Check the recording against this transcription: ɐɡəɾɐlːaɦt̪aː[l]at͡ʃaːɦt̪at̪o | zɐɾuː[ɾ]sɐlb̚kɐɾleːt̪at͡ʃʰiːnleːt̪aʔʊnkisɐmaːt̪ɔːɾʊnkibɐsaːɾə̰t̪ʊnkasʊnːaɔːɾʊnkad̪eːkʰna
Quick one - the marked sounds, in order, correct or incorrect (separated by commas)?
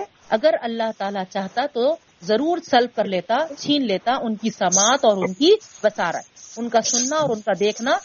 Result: correct, correct